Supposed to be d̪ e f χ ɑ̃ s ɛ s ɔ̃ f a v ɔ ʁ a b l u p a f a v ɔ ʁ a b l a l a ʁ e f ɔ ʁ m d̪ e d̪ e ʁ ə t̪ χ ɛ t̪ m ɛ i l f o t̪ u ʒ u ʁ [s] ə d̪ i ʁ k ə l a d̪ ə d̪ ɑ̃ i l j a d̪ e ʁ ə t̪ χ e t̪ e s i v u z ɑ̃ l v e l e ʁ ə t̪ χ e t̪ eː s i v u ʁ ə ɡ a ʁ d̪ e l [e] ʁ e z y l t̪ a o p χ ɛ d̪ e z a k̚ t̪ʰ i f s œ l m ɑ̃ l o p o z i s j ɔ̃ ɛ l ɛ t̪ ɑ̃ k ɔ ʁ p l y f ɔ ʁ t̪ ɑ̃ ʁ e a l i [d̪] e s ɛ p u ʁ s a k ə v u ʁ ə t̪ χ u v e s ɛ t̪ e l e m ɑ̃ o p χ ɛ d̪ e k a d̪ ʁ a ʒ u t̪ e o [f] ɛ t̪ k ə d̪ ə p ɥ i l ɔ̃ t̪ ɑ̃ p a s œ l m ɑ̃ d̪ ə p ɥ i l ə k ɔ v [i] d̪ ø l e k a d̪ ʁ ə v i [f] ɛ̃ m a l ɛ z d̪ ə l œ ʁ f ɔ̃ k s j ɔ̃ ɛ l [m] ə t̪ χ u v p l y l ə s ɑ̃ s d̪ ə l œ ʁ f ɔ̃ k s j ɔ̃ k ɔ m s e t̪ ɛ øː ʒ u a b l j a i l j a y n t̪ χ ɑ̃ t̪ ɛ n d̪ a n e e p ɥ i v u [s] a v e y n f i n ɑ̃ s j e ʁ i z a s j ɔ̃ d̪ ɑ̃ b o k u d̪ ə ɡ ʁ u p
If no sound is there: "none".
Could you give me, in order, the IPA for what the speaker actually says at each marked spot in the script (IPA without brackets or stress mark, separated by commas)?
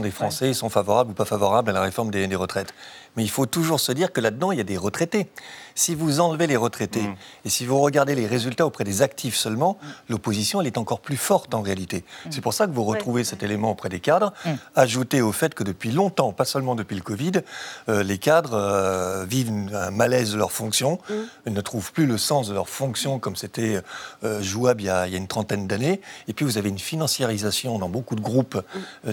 s, e, t̪, f, i, v, n, z